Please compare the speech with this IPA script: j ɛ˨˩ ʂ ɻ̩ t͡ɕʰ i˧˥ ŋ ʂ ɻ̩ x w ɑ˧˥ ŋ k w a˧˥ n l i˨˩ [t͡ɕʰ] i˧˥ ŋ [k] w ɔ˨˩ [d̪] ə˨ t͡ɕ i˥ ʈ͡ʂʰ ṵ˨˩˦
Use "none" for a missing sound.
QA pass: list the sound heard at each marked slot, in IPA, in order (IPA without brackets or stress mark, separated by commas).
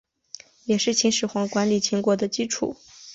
t͡ɕʰ, k, d̪